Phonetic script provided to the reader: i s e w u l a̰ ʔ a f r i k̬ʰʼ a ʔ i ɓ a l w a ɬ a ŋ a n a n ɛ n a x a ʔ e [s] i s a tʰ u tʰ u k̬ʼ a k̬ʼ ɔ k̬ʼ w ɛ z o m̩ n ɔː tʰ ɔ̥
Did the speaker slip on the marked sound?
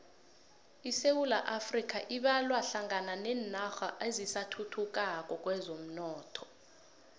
yes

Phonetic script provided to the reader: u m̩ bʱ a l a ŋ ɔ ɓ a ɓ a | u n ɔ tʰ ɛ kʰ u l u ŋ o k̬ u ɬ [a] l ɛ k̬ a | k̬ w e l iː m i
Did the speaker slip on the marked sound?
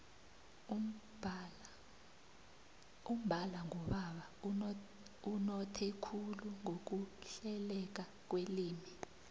yes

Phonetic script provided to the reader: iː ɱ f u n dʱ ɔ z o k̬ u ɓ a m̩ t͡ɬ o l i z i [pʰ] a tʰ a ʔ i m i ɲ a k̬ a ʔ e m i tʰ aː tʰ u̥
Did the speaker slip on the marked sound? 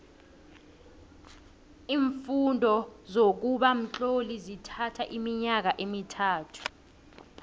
yes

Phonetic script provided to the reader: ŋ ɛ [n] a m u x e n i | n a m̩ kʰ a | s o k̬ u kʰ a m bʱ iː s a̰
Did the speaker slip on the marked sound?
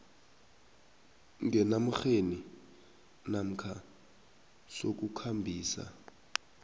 no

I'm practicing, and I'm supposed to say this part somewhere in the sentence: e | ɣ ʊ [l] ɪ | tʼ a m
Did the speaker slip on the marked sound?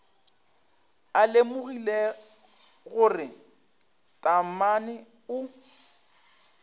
yes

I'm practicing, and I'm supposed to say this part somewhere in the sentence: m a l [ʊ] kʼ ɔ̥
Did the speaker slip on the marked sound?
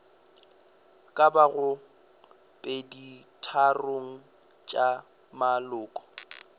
yes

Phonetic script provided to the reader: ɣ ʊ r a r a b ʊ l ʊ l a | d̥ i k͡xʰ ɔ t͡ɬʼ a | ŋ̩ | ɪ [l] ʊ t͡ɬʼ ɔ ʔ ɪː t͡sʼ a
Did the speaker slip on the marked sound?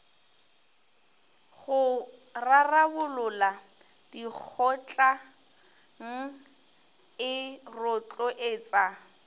yes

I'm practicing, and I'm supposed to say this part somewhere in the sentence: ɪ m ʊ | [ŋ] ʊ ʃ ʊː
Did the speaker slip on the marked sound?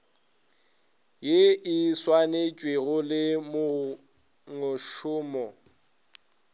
no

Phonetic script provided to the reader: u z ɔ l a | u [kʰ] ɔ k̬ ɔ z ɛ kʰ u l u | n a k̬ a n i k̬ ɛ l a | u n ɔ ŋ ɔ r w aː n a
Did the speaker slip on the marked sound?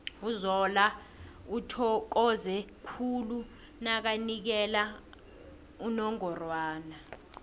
yes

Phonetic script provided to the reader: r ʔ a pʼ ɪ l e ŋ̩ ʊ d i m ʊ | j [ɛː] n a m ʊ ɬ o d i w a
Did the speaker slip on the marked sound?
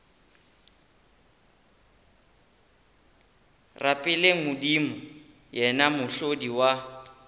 yes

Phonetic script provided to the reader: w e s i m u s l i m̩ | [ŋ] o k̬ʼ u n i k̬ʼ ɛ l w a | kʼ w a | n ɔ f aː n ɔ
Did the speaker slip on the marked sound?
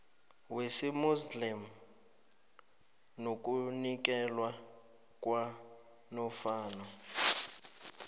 yes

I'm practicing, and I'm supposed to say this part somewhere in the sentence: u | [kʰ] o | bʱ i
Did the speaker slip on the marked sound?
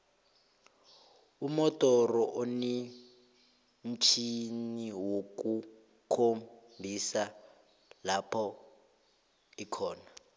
no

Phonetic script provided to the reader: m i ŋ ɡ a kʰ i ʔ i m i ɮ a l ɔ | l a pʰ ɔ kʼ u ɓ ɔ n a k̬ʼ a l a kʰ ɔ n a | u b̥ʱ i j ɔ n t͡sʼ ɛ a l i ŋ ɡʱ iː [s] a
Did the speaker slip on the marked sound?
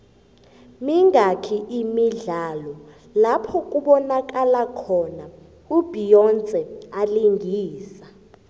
no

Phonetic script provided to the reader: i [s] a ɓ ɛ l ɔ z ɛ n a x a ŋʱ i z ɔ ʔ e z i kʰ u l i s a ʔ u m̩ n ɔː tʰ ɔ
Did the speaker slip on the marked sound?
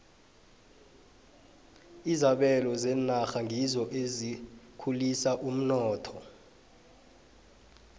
yes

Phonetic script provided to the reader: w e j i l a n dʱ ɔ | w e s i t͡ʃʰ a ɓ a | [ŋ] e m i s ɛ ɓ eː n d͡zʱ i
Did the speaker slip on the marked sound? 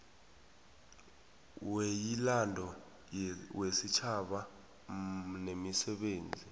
yes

